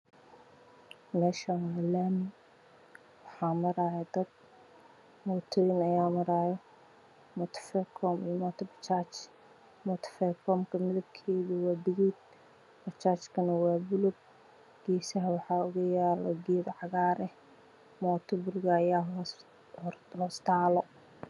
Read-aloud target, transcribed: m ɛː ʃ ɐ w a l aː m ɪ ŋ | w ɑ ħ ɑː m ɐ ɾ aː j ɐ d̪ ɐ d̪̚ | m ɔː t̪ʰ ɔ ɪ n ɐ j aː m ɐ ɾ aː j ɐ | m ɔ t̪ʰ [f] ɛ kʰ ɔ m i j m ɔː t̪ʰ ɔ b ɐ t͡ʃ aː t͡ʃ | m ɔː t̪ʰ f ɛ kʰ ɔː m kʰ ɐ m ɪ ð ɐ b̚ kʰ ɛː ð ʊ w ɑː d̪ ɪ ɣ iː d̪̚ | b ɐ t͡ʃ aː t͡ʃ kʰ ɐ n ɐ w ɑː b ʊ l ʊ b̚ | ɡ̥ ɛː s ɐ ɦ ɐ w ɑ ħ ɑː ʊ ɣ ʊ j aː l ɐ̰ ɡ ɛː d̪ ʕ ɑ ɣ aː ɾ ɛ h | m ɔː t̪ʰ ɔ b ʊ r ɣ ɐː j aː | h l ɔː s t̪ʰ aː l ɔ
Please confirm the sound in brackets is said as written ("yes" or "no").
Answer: yes